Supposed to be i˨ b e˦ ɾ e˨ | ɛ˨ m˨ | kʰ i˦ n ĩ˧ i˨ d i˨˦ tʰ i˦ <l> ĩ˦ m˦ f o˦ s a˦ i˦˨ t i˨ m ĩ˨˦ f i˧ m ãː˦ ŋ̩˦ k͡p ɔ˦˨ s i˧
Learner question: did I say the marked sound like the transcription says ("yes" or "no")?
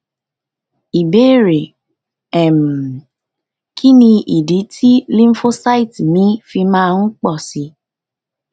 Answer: yes